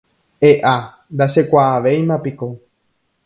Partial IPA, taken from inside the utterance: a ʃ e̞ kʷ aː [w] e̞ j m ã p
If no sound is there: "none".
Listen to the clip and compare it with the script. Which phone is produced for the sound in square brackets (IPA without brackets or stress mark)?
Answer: ʋ